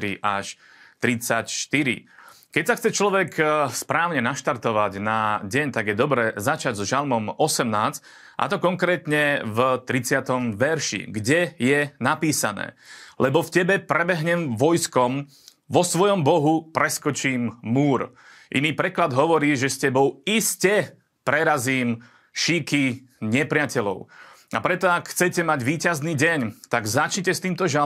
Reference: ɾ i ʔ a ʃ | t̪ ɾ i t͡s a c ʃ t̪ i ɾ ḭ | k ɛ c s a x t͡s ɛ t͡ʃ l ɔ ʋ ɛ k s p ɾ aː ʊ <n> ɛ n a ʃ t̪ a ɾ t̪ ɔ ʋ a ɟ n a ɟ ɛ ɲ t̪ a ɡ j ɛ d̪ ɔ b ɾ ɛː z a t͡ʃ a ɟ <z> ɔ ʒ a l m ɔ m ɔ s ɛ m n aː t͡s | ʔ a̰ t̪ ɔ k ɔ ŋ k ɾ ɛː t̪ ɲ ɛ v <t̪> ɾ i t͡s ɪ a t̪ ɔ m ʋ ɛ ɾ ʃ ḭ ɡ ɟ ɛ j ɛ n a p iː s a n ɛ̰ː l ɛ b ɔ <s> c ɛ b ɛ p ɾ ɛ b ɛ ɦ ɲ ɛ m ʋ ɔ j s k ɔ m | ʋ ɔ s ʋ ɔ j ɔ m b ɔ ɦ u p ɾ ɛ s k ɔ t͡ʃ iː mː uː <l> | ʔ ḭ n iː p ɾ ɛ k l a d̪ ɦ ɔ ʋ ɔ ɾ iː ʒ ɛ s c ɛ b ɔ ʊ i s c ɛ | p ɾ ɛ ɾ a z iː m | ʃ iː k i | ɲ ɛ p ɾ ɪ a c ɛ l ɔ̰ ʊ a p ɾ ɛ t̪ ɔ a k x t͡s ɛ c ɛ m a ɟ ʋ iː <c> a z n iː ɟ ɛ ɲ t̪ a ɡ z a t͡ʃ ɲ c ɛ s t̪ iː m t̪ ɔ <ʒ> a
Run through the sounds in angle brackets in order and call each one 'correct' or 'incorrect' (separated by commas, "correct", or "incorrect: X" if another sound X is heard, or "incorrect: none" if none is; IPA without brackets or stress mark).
incorrect: ɲ, correct, correct, incorrect: f, incorrect: ɾ, correct, correct